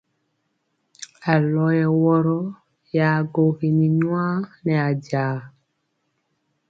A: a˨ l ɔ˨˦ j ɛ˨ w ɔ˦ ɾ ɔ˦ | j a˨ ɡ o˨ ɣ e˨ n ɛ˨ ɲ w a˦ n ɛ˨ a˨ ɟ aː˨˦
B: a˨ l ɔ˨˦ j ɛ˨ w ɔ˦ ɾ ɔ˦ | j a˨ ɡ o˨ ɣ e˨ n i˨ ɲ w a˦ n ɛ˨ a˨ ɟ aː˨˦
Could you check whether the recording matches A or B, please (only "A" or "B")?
B